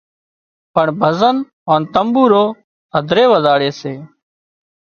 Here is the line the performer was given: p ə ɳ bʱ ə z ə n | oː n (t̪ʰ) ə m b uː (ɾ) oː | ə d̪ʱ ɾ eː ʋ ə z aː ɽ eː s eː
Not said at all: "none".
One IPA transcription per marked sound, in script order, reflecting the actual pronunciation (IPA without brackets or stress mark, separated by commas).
t̪, ɾ